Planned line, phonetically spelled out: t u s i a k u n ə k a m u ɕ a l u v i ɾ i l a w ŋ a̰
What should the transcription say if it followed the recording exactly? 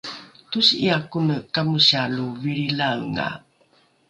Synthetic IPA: t u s i a k u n ə k a m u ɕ a l u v i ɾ i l a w ŋ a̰